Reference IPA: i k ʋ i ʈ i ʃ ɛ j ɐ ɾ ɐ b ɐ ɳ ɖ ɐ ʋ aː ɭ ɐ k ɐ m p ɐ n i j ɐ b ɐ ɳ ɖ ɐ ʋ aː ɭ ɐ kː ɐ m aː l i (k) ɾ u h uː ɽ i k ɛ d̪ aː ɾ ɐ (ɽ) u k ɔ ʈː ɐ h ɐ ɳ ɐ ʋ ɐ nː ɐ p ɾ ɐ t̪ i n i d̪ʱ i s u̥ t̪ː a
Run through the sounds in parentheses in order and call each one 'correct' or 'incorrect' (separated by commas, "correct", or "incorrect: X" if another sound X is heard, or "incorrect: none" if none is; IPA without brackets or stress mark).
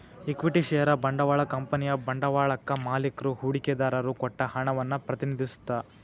correct, incorrect: ɾ